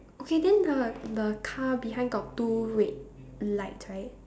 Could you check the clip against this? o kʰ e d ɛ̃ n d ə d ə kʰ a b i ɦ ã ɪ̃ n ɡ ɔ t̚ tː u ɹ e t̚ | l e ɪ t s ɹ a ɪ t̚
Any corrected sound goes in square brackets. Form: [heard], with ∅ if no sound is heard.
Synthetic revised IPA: o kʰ e d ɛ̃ n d ə d ə kʰ a b i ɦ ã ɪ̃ n ɡ ɔ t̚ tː u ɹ e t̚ | l [a] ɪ t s ɹ a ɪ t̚